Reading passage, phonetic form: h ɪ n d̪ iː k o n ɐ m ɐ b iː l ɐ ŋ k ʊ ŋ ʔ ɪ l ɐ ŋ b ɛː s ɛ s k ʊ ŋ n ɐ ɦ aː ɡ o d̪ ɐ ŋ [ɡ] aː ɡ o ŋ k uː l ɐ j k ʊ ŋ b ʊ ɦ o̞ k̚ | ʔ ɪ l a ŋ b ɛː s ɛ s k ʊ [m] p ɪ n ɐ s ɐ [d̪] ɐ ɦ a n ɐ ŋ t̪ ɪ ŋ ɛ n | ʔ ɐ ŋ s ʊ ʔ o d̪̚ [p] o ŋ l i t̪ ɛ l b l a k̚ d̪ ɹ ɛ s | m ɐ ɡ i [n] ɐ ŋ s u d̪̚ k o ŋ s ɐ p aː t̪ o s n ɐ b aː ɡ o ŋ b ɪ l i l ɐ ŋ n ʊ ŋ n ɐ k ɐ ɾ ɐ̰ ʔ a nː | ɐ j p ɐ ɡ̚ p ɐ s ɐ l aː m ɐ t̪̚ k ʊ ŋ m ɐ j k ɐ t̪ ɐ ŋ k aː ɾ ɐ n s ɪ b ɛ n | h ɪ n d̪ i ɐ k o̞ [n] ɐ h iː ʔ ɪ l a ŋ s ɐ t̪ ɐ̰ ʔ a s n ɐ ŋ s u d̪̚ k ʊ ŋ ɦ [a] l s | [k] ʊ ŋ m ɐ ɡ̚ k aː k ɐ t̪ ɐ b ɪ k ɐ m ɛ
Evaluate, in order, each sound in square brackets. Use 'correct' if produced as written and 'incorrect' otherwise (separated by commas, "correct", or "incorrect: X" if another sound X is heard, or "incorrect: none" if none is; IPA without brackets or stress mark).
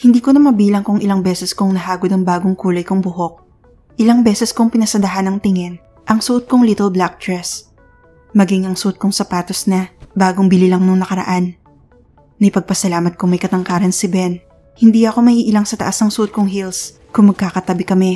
incorrect: b, incorrect: ŋ, correct, incorrect: k, incorrect: ŋ, incorrect: m, incorrect: i, correct